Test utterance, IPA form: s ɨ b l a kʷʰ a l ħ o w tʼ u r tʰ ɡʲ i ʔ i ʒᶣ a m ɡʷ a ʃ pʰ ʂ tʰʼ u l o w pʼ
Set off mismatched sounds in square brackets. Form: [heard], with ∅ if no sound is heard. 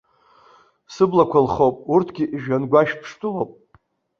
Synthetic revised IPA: s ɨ b l a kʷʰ a l [χ] o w [pʼ] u r tʰ ɡʲ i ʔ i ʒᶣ a [n] ɡʷ a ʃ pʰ ʂ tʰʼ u l o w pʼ